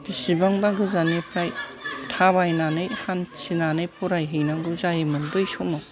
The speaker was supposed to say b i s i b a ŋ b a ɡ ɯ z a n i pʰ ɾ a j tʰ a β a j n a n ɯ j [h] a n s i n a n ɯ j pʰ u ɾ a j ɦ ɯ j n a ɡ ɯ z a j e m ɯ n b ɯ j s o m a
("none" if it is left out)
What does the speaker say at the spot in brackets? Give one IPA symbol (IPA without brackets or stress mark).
h